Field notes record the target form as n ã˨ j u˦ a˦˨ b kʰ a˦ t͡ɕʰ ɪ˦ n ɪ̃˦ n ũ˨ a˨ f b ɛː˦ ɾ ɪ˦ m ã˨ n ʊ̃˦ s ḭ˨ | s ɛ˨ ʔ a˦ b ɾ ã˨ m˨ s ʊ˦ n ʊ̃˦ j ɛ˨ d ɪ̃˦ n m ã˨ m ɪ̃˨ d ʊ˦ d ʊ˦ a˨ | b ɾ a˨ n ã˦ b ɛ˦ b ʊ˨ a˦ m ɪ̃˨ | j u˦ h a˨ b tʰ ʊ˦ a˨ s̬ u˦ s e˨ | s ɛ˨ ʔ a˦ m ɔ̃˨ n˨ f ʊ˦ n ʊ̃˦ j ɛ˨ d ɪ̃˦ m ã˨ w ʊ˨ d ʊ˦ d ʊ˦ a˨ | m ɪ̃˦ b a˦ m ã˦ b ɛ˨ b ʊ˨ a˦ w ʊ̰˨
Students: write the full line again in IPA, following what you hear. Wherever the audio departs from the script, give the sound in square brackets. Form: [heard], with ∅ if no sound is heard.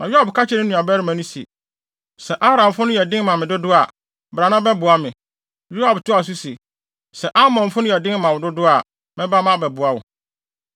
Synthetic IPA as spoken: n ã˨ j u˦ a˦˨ b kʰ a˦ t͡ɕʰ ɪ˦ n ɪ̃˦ n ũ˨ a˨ [∅] b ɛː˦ ɾ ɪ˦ m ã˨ n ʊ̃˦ s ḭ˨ | s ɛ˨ ʔ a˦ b ɾ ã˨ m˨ [f] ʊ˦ n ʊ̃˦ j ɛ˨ d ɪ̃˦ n m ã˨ m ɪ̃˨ d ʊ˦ d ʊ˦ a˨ | b ɾ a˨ n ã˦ b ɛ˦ b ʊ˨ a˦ m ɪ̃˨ | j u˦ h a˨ b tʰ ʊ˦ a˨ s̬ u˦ s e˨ | s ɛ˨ ʔ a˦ m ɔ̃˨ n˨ f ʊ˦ n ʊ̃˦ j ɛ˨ d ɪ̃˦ m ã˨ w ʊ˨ d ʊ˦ d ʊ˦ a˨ | m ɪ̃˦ b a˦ m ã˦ b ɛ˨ b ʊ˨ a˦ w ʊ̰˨